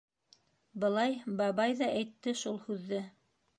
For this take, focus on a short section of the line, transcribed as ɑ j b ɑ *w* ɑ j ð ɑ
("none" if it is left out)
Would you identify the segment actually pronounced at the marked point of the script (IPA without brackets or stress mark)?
β